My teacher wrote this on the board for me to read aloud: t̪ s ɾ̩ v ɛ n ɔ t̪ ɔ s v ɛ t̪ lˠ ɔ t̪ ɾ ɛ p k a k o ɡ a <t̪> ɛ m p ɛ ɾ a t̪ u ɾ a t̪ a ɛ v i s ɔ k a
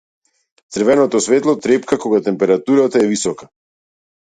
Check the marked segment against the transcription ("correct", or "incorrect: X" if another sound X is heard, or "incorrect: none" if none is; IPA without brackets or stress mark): correct